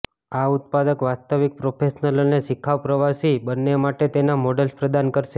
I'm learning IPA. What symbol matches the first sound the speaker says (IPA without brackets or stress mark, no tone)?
a